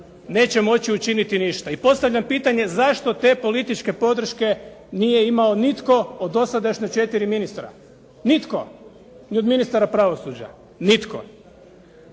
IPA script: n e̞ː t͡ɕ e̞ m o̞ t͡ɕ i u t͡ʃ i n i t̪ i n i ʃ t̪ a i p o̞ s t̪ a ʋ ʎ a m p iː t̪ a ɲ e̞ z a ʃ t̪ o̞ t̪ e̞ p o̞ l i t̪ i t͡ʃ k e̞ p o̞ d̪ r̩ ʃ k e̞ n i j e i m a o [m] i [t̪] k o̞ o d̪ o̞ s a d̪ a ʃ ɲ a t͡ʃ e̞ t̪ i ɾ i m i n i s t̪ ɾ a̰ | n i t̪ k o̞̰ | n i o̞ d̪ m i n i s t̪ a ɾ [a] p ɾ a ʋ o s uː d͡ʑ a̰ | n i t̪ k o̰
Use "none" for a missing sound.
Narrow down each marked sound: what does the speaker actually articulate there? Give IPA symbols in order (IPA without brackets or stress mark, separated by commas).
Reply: n, t̪, a